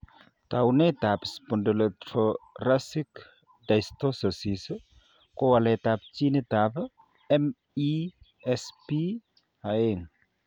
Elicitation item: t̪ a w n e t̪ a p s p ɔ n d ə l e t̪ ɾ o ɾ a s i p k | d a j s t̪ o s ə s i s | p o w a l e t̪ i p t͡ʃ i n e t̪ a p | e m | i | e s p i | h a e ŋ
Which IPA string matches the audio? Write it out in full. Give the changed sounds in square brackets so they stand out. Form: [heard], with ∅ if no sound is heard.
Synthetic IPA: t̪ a w n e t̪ a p s p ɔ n d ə l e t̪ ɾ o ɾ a s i [∅] k | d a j s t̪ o s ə s i s | [k] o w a l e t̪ [a] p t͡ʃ i n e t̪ a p | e m | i | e s p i | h a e ŋ